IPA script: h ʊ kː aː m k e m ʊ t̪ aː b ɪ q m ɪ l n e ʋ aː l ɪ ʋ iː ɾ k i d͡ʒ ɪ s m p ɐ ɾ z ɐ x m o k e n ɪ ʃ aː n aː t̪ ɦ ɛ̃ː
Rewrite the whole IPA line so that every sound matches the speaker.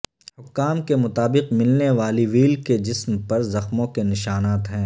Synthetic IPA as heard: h ʊ kː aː m k e m ʊ t̪ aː b ɪ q m ɪ l n e ʋ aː l i ʋ iː l k e d͡ʒ ɪ s m p ɐ ɾ z ɐ x m õ k e n ɪ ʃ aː n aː t̪ ɦ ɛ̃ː